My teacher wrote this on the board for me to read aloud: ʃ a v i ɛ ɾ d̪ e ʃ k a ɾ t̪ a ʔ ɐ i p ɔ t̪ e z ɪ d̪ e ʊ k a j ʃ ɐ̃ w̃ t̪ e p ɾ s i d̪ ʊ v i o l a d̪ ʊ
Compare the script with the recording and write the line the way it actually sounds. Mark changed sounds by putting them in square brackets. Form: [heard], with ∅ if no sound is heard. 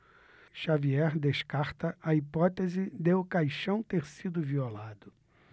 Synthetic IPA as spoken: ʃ a v i ɛ ɾ d̪ e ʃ k a ɾ t̪ [ɐ] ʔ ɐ i p ɔ t̪ e z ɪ d̪ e ʊ k a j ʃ ɐ̃ w̃ t̪ e [∅] ɾ s i d̪ ʊ v i o l a d̪ ʊ